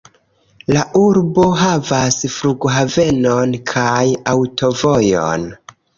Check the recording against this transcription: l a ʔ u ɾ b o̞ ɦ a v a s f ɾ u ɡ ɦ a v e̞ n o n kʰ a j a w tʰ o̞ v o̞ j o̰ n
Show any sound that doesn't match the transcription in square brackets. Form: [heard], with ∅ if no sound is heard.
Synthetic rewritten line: l a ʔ u ɾ b o̞ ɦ a v a s f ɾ u ɡ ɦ a v e̞ n o n kʰ a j a w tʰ o̞ v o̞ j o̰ n